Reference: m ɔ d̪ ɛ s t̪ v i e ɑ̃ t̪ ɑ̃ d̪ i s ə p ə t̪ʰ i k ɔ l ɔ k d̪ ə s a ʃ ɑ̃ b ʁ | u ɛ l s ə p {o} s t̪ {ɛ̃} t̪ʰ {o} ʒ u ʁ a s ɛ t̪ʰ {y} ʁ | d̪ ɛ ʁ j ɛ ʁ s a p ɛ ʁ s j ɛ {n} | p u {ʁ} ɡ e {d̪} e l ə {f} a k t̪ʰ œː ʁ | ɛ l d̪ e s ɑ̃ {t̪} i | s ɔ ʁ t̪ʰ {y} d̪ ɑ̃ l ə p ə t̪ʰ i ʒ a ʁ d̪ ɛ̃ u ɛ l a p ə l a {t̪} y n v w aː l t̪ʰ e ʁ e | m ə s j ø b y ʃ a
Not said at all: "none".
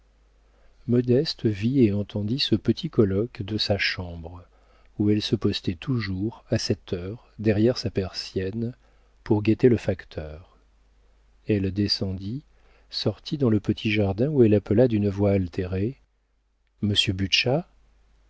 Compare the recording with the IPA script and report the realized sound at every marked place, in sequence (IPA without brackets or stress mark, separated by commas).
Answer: ɔ, ɛ, u, œ, n, ʁ, t̪, f, d̪, i, d̪